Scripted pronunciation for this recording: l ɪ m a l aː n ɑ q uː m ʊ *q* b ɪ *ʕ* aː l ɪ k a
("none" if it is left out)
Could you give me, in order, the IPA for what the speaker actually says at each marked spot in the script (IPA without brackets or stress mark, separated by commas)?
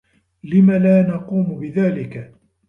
none, ð